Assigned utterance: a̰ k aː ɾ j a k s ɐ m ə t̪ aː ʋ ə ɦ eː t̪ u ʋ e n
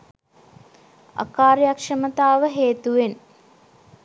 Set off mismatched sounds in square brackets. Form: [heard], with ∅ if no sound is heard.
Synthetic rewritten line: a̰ k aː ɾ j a k [ʂ] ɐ m ə t̪ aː ʋ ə ɦ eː t̪ u ʋ e n